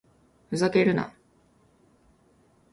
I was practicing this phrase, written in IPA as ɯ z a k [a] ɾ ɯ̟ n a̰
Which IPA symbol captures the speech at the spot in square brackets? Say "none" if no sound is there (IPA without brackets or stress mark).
e